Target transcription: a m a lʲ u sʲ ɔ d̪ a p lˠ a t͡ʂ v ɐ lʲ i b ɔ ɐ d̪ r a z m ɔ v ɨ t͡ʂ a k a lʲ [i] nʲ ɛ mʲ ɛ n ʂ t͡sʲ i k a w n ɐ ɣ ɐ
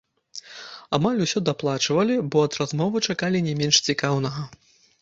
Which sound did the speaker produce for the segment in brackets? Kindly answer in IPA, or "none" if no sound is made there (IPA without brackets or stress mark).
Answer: i